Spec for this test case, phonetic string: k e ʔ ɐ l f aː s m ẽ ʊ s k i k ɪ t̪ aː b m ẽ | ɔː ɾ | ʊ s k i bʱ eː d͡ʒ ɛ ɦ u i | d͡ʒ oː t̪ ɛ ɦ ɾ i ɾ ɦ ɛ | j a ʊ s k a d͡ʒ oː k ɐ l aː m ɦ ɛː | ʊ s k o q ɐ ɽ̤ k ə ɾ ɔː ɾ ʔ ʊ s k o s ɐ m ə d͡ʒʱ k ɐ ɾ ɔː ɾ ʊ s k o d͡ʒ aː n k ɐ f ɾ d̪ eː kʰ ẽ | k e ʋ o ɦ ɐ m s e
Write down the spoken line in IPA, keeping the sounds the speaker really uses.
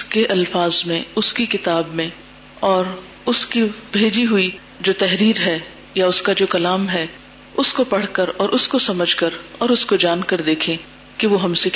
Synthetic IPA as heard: k e ʔ ɐ l f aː z m ẽ ʊ s k i k ɪ t̪ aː b m ẽ | ɔː ɾ | ʊ s k i bʱ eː d͡ʒ i ɦ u i | d͡ʒ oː t̪ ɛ ɦ ɾ iː ɾ ɦ ɛ | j a ʊ s k a d͡ʒ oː k ɐ l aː m ɦ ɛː | ʊ s k o p ɐ ɽ̤ k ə ɾ ɔː ɾ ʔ ʊ s k o s ɐ m ə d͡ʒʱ k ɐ ɾ ɔː ɾ ʊ s k o d͡ʒ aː n k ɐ ɾ d̪ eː kʰ ẽ | k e ʋ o ɦ ɐ m s e